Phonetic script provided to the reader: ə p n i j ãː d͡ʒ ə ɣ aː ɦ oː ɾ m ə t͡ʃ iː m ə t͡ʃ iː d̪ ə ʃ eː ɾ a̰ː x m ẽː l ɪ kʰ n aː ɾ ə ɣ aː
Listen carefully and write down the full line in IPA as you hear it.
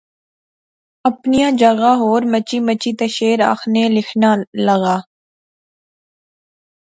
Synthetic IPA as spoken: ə p n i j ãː d͡ʒ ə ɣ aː ɦ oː ɾ m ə t͡ʃ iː m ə t͡ʃ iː t̪ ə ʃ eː ɾ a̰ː x n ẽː l ɪ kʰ n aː l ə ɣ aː

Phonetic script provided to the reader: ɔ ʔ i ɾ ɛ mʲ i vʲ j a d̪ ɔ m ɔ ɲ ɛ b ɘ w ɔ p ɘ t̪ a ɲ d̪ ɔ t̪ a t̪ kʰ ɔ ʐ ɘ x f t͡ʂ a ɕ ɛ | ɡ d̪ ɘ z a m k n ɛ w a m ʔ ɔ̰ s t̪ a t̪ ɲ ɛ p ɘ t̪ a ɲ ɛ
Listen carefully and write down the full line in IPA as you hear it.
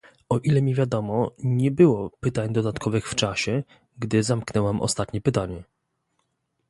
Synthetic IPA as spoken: ɔ ʔ i l ɛ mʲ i vʲ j a d̪ ɔ m ɔ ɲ ɛ b ɘ w ɔ p ɘ t̪ a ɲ d̪ ɔ d̪ a t̪ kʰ ɔ v ɘ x f t͡ʂ a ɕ ɛ | ɡ d̪ ɘ z a m k n ɛ w a m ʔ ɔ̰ s t̪ a t̪ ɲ ɛ p ɘ t̪ a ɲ ɛ

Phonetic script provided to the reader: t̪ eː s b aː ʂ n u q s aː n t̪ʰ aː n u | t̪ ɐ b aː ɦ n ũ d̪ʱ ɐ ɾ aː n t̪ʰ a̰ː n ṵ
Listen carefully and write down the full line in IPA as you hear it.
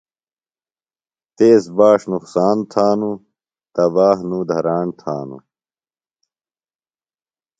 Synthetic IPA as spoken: t̪ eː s b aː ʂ n u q s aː n t̪ʰ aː n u | t̪ ɐ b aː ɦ n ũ d̪ʱ ɐ ɾ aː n t̪ʰ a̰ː n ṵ

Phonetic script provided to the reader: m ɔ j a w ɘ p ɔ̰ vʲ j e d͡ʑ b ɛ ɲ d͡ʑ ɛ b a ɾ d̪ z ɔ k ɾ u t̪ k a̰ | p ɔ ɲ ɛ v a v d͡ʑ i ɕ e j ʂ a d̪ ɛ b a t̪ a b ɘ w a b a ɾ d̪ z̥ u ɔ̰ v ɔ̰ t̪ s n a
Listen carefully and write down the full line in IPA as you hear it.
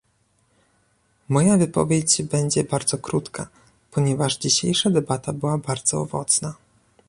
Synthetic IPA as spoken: m ɔ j a v ɘ p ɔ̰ vʲ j e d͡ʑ b ɛ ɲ d͡ʑ ɛ b a ɾ d̪ z ɔ k ɾ u t̪ k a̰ | p ɔ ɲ ɛ v a ʐ d͡ʑ i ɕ e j ʂ a d̪ ɛ b a t̪ a b ɘ w a b a ɾ d̪ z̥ ɔ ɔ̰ v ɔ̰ t̪ s n a

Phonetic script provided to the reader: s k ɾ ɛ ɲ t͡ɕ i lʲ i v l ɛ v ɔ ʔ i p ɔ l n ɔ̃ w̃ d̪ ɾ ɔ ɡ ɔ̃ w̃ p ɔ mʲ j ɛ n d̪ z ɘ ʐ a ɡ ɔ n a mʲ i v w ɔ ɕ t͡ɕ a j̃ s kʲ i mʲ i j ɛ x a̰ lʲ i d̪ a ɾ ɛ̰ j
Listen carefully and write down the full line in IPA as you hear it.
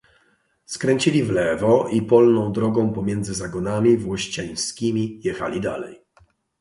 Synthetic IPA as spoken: s k ɾ ɛ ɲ t͡ɕ i lʲ i v l ɛ v ɔ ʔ i p ɔ l n ɔ̃ w̃ d̪ ɾ ɔ ɡ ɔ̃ w̃ p ɔ mʲ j ɛ n d̪ z ɘ z a ɡ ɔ n a mʲ i v w ɔ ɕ t͡ɕ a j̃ s kʲ i mʲ i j ɛ x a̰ lʲ i d̪ a l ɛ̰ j

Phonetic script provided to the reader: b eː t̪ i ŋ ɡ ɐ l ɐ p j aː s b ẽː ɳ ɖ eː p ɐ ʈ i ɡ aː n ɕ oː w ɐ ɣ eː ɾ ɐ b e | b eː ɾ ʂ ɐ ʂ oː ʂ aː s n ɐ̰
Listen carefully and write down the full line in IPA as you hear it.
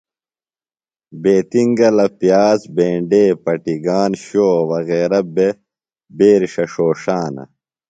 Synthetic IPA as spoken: b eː t̪ i ŋ ɡ ɐ l ɐ p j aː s b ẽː ɳ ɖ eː p ɐ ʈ i ɡ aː n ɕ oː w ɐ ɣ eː ɾ ɐ b e | b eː ɾ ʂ ɐ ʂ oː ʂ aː n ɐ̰

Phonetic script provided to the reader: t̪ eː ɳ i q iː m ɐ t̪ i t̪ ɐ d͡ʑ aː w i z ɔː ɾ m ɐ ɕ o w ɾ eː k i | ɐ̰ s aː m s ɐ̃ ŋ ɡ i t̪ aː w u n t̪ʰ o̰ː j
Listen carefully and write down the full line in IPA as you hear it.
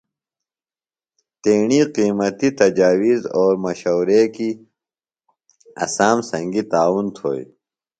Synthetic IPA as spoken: t̪ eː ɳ i q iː m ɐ t̪ i t̪ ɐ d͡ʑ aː w i z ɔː ɾ m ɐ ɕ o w ɾ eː k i | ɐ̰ s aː m s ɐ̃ ŋ ɡ i t̪ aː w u n t̪ʰ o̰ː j

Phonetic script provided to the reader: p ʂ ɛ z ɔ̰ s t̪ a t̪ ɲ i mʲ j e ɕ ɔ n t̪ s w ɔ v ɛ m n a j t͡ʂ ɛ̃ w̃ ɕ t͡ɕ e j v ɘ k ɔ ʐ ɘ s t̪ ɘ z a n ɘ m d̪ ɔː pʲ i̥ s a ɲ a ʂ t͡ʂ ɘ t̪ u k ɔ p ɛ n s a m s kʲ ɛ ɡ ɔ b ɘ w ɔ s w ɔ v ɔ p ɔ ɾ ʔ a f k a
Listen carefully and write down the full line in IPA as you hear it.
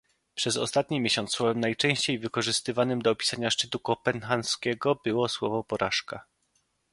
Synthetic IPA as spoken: p ʂ ɛ z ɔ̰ s t̪ a t̪ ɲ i mʲ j e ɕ ɔ n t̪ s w ɔ v ɛ m n a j t͡ʂ ɛ̃ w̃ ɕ t͡ɕ e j v ɘ k ɔ ʐ ɘ s t̪ ɘ v a n ɘ m d̪ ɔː pʲ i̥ s a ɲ a ʂ t͡ʂ ɘ t̪ u k ɔ p ɛ n x a n s kʲ ɛ ɡ ɔ b ɘ w ɔ s w ɔ v ɔ p ɔ ɾ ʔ a ʂ k a

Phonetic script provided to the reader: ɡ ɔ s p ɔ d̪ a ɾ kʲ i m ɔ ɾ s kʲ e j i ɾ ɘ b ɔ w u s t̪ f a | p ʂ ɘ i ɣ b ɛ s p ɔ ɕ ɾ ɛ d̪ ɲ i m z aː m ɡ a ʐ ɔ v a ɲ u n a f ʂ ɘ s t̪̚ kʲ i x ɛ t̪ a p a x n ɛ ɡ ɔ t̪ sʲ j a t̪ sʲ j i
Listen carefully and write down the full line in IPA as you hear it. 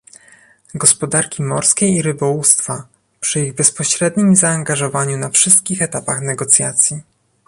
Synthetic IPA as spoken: ɡ ɔ s p ɔ d̪ a ɾ kʲ i m ɔ ɾ s kʲ e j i ɾ ɘ b ɔ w u s t̪ f a | p ʂ ɘ i ɣ b ɛ s p ɔ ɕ ɾ ɛ d̪ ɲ i m z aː ŋ ɡ a ʐ ɔ v a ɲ u n a f ʂ ɘ s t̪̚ kʲ i x ɛ t̪ a p a x n ɛ ɡ ɔ t̪ sʲ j a t̪ sʲ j i

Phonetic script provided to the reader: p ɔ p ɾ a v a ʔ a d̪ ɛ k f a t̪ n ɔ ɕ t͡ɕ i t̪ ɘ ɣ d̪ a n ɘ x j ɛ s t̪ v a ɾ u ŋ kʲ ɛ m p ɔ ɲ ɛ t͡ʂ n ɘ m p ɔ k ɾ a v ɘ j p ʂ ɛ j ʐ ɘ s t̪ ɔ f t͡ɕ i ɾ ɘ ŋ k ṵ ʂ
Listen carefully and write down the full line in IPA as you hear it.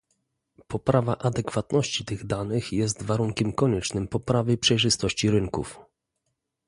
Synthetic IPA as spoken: p ɔ p ɾ a v a ʔ a d̪ ɛ k f a t̪ n ɔ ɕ t͡ɕ i t̪ ɘ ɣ d̪ a n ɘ x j ɛ s t̪ v a ɾ u ŋ kʲ ɛ m k ɔ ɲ ɛ t͡ʂ n ɘ m p ɔ p ɾ a v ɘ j p ʂ ɛ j ʐ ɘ s t̪ ɔ ɕ t͡ɕ i ɾ ɘ ŋ k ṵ f

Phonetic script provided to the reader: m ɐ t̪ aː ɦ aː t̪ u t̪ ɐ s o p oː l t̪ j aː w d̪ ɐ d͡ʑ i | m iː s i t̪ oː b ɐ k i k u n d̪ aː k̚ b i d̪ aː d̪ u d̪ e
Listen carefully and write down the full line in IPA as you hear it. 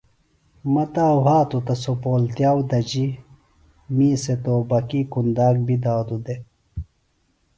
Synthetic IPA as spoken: m ɐ t̪ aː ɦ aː t̪ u t̪ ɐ s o p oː l t̪ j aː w d̪ ɐ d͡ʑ i | m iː s e t̪ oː b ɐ k i k u n d̪ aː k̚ b i d̪ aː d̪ u d̪ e

